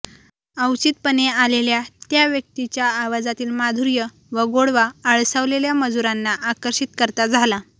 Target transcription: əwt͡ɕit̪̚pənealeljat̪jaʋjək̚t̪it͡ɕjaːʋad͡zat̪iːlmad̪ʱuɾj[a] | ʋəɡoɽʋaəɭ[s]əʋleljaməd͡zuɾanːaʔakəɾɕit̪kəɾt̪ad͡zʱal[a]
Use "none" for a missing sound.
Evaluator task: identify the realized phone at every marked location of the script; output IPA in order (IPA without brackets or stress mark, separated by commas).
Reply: ə, s, a